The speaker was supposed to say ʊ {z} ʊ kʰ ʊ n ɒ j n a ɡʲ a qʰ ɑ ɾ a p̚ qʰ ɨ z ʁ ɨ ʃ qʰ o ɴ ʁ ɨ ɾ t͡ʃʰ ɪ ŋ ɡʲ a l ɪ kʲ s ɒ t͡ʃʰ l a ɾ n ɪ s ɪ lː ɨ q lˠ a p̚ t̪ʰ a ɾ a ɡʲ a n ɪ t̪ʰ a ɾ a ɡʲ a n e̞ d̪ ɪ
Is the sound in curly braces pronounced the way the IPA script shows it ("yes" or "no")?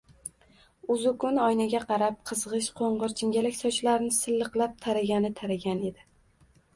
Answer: yes